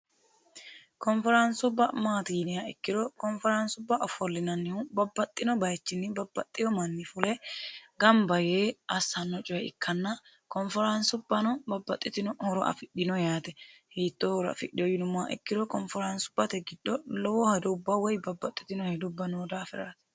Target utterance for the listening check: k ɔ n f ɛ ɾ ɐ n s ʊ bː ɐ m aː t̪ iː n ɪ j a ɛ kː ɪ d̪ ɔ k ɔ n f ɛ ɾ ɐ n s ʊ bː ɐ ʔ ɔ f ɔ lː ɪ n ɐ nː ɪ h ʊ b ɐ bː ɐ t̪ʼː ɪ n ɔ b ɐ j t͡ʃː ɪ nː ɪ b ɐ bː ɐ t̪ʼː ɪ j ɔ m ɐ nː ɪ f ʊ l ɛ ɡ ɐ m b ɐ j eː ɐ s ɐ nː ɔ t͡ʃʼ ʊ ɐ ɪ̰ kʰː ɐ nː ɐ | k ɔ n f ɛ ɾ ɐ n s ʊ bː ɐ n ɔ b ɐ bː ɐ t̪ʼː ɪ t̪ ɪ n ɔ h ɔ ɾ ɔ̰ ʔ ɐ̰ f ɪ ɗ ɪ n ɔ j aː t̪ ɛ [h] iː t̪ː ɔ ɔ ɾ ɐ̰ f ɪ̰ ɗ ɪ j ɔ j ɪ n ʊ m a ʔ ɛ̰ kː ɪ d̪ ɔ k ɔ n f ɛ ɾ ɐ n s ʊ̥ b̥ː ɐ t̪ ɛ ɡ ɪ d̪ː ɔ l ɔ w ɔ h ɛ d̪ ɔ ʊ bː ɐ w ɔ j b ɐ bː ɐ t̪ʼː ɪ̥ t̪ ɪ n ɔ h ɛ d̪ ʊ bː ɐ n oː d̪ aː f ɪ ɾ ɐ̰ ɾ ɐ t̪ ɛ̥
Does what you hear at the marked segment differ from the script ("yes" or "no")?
no